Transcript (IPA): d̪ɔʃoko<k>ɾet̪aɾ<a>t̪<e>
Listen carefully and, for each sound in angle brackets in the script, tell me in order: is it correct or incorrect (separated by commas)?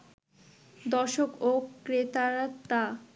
correct, correct, incorrect